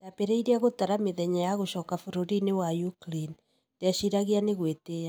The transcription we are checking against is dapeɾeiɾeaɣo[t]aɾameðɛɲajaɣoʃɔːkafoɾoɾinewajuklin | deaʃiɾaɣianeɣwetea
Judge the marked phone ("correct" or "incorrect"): correct